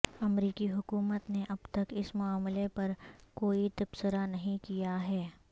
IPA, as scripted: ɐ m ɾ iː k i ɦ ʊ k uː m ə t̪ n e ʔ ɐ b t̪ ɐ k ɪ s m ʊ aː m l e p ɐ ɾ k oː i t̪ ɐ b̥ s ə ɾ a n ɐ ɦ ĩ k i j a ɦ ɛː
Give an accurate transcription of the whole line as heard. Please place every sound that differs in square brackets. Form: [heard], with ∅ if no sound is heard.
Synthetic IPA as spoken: ɐ m ɾ iː k i ɦ ʊ k uː m ə t̪ n e ʔ ɐ b t̪ ɐ k ɪ s m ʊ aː m l e p ɐ ɾ k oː i t̪ ɐ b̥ s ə ɾ a n ɐ ɦ ĩ k i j a ɦ ɛː